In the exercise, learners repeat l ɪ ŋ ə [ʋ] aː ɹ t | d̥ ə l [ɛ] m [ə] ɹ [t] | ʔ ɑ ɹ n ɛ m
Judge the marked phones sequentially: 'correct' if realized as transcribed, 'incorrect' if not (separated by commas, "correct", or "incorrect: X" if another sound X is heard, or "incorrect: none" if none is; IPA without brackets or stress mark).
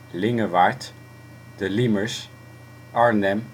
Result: correct, incorrect: i, correct, incorrect: s